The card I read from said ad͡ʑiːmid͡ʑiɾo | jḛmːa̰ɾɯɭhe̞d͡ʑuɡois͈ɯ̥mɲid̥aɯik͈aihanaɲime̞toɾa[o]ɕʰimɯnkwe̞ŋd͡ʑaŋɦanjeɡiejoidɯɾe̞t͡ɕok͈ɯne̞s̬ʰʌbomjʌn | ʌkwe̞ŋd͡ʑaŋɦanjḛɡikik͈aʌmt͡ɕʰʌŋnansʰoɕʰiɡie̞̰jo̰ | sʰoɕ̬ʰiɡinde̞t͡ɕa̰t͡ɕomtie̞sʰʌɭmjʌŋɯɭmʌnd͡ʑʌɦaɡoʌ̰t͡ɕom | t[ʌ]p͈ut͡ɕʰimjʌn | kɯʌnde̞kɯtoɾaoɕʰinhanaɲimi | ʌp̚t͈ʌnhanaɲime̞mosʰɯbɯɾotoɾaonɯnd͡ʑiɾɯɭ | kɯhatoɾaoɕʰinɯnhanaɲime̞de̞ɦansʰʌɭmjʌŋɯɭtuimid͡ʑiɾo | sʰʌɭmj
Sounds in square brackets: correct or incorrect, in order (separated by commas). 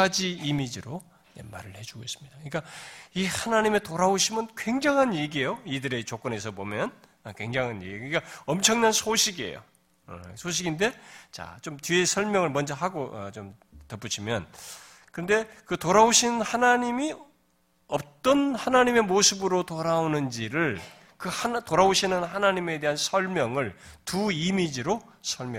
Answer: correct, correct